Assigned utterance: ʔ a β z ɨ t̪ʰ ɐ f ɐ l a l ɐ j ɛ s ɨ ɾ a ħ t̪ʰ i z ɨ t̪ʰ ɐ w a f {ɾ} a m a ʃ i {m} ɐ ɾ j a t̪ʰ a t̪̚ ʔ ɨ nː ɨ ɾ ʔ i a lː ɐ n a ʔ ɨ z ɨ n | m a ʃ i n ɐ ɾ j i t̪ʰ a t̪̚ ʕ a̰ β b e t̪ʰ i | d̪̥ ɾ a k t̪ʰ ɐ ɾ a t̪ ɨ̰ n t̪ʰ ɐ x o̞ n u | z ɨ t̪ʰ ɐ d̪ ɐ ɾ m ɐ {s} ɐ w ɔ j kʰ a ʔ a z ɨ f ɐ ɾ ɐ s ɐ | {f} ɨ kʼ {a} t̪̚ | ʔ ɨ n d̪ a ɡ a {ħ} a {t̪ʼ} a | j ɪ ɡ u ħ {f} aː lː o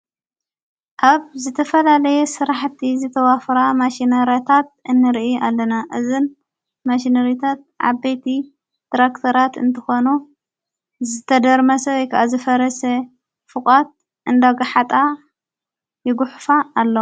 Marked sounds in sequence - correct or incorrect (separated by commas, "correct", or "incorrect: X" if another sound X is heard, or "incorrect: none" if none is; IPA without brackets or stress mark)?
correct, incorrect: n, correct, correct, correct, correct, correct, correct